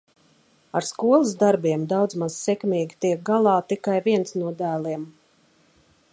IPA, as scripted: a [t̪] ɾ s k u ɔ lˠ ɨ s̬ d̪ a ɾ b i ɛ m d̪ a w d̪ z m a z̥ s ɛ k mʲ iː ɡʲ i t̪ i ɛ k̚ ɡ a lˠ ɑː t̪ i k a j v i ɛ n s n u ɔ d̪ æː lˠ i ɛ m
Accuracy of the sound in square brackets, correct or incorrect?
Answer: incorrect